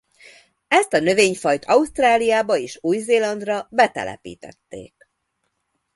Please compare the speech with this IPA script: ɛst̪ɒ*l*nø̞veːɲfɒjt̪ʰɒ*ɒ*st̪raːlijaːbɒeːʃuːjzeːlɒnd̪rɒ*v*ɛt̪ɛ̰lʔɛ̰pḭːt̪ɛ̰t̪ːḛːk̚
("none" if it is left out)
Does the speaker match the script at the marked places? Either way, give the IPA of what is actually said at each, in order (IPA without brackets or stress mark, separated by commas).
none, u, b